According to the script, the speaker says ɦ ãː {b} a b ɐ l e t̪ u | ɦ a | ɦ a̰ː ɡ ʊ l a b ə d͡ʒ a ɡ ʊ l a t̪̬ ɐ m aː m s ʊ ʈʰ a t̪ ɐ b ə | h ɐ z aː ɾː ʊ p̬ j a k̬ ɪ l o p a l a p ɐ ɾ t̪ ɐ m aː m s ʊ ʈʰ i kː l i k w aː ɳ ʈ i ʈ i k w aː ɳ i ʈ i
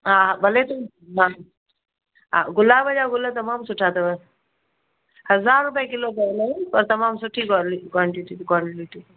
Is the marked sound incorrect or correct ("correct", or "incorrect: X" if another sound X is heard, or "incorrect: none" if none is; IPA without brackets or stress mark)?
incorrect: none